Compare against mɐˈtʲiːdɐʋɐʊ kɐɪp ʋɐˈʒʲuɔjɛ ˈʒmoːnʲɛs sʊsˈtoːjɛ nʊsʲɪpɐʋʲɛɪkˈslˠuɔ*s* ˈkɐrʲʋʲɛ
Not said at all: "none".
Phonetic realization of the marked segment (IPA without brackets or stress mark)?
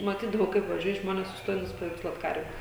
t